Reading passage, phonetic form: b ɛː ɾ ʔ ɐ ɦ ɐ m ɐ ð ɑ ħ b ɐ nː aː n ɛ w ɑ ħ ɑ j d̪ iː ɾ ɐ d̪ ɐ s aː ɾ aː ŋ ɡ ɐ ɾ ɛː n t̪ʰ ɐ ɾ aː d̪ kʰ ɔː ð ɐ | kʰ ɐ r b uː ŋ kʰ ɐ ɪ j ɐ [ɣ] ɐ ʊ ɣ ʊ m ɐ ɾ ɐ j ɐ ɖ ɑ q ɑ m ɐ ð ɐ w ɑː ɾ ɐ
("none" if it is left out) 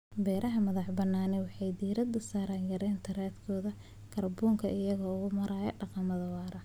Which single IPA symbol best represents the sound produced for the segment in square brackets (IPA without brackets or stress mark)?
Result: ɣ